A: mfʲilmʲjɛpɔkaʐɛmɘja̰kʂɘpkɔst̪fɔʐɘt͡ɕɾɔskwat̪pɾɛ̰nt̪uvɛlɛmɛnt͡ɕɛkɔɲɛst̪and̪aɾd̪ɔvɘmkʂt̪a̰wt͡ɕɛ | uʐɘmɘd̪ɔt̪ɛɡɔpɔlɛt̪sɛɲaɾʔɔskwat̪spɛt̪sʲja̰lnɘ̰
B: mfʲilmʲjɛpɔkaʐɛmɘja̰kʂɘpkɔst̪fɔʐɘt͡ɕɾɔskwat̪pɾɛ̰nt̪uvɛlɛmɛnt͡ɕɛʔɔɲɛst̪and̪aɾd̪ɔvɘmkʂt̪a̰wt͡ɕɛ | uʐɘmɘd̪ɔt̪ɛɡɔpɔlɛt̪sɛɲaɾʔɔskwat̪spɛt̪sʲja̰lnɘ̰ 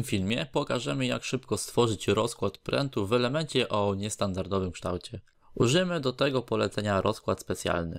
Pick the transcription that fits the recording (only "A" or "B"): B